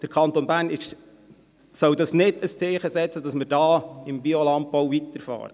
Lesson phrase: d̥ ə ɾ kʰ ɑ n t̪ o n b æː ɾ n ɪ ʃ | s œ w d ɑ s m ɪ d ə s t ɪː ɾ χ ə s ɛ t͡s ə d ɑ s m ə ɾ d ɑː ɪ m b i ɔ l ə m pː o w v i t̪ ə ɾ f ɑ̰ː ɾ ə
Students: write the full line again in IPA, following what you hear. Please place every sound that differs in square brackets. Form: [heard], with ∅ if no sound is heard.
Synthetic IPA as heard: d̥ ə ɾ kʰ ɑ n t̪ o n b æː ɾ n ɪ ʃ | s œ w d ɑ s [n] ɪ d ə s [t͡s] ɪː [∅] χ ə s ɛ t͡s ə d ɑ s m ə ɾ d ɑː ɪ m b i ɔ l [ɑ] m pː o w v i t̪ ə ɾ f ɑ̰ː ɾ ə